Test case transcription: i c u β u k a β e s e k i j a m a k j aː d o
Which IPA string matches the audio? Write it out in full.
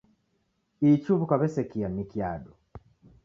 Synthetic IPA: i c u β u k a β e s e k i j a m i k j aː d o